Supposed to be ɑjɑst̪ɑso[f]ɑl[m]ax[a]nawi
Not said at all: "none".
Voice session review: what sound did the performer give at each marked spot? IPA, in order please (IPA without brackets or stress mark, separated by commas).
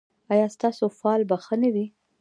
f, b, ə